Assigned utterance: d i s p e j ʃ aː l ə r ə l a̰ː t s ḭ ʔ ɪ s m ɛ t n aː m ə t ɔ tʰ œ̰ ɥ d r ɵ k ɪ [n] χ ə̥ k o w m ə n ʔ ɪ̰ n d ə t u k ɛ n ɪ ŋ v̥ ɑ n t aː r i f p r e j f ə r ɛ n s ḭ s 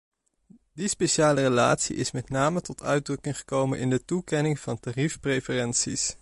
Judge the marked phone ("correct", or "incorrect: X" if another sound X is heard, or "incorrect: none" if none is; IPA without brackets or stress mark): incorrect: ŋ